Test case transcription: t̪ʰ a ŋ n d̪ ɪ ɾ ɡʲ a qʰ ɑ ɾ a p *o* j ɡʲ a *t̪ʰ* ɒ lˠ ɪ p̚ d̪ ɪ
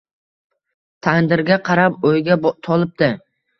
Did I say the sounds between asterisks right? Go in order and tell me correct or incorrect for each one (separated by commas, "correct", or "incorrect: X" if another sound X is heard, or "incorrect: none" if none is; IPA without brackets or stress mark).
correct, correct